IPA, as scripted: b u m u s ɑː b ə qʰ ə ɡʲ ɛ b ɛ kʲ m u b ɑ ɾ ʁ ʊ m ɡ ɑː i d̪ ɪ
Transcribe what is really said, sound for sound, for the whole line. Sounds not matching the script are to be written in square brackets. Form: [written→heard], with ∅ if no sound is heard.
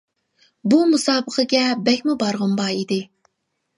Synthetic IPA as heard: b u m u s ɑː b ə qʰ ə ɡʲ ɛ b ɛ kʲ m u b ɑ ɾ ʁ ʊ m [ɡ→b] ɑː i d̪ ɪ